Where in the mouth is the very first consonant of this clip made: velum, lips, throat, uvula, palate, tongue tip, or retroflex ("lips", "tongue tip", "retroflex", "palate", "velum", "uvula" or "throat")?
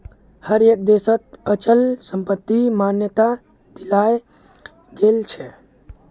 throat